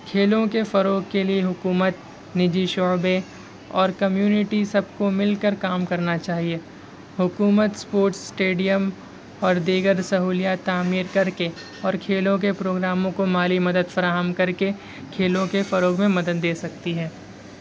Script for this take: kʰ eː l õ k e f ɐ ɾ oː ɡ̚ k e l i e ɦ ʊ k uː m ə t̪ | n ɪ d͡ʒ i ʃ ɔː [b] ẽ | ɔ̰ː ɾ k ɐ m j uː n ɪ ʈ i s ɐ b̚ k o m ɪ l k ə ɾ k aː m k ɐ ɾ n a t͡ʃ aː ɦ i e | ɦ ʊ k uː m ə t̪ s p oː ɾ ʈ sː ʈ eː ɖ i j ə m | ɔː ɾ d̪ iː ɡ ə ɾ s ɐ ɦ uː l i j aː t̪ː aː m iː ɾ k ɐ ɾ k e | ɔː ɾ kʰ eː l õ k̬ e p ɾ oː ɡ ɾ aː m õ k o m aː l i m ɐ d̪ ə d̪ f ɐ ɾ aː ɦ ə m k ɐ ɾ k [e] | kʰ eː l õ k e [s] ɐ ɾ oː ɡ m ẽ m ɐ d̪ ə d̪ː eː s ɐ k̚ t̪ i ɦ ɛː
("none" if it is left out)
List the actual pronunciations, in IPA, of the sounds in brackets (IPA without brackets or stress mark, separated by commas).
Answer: b, e, f